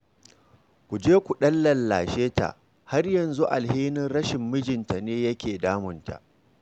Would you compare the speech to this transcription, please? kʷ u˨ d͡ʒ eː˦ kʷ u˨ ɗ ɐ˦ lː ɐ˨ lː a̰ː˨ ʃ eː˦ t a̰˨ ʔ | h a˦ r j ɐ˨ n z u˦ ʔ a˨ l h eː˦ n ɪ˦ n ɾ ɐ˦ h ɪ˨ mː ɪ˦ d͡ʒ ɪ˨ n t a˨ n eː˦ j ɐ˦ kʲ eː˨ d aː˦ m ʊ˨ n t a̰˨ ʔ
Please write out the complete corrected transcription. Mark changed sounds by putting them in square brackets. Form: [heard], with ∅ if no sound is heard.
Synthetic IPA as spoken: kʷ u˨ d͡ʒ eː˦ kʷ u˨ ɗ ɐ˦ lː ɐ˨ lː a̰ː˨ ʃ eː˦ t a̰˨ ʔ | h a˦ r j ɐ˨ n z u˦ ʔ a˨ l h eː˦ n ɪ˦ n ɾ ɐ˦ [ʃ] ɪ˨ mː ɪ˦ d͡ʒ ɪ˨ n t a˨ n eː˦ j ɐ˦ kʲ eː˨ d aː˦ m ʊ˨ n t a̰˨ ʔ